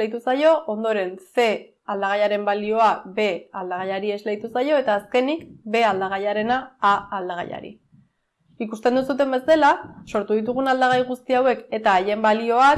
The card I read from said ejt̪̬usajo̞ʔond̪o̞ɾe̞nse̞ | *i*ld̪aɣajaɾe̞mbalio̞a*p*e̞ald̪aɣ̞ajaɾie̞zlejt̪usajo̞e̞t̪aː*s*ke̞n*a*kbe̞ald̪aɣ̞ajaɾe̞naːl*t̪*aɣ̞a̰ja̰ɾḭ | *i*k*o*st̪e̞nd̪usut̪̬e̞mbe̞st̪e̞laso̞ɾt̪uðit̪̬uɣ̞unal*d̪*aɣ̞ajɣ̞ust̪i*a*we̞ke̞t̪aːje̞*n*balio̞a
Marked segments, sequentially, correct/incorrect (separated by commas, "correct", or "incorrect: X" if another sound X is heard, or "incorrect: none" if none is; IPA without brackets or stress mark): incorrect: a, incorrect: b, correct, incorrect: i, incorrect: d̪, correct, incorrect: u, correct, correct, incorrect: m